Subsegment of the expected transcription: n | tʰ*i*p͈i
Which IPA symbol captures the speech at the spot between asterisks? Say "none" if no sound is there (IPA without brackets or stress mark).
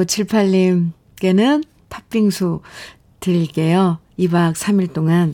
a